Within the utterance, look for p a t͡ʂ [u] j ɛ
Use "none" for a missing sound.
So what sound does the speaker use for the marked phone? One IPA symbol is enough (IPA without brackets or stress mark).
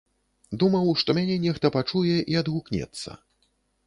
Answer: u